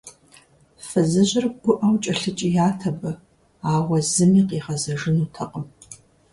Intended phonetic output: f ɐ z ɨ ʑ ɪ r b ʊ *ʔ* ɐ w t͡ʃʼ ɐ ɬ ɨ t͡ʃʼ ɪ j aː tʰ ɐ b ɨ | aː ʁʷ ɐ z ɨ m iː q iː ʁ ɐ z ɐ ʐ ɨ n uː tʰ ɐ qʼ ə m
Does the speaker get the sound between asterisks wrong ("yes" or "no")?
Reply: no